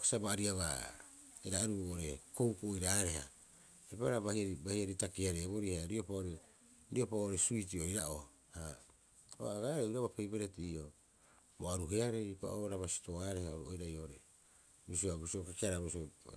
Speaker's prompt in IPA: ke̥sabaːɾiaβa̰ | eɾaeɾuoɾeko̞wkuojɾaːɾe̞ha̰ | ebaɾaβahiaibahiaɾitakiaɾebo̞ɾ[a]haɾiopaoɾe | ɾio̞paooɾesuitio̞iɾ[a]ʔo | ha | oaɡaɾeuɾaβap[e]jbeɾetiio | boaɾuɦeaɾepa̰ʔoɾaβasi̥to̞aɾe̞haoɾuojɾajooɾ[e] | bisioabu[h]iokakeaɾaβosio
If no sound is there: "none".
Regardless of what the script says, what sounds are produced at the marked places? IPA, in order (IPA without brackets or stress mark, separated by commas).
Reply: i, a, e, e, s